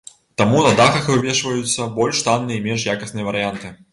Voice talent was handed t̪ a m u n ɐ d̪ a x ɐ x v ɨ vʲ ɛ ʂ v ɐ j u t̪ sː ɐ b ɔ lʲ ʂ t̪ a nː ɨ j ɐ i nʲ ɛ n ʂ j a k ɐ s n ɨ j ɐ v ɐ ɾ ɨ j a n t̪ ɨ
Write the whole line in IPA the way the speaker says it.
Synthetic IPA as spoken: t̪ a m u n ɐ d̪ a x ɐ x v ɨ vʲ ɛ ʂ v ɐ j u t̪ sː ɐ b ɔ lʲ ʂ t̪ a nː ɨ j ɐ i mʲ ɛ n ʂ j a k ɐ s n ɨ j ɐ v ɐ ɾ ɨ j a n t̪ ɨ